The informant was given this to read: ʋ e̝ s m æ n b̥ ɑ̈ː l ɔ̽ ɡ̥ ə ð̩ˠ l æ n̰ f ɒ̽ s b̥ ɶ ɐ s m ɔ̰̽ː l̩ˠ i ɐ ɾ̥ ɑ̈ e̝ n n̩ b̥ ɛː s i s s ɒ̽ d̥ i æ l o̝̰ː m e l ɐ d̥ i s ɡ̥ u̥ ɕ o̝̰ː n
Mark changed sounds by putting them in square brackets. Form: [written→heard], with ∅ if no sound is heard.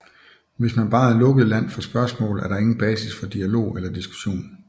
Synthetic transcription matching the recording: ʋ e̝ s m æ n b̥ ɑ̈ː l ɔ̽ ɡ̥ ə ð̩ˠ l æ n̰ f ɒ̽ s b̥ ɶ ɐ s m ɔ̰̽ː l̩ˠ [i→æ] ɐ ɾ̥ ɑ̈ e̝ [n→ŋ] n̩ b̥ ɛː s i s [s→f] ɒ̽ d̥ i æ l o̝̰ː [m→∅] e l ɐ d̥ i s ɡ̥ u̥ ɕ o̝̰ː n